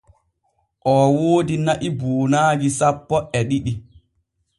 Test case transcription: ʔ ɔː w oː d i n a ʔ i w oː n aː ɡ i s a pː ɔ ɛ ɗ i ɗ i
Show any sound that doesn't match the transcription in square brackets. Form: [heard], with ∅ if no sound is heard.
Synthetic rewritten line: ʔ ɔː w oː d i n a ʔ i [b] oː n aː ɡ i s a pː ɔ ɛ ɗ i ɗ i